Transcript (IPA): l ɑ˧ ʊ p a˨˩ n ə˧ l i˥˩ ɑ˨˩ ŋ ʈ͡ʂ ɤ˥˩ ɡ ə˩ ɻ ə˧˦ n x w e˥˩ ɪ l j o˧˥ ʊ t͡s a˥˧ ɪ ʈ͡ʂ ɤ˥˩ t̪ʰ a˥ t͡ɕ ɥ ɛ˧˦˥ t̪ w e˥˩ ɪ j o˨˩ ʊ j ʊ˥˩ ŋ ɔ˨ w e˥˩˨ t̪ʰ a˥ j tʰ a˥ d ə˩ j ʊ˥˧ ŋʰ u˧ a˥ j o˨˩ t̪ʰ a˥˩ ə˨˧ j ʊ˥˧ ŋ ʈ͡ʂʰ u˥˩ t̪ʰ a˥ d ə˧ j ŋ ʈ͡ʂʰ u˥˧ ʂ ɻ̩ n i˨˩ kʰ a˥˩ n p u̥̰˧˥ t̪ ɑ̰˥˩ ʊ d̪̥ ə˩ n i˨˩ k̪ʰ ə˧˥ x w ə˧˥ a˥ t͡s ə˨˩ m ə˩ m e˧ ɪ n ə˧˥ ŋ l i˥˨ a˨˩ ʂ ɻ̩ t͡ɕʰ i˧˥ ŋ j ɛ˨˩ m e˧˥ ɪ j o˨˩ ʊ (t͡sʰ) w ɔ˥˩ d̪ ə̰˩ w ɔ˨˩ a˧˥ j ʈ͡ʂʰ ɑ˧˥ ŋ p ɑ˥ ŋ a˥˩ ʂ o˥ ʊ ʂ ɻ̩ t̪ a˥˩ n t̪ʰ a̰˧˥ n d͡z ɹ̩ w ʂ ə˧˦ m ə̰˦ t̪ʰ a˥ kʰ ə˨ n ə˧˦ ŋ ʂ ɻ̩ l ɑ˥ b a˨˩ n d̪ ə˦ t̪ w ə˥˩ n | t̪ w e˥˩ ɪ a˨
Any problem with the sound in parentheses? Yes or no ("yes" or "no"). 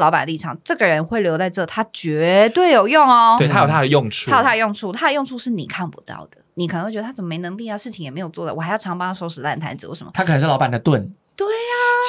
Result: yes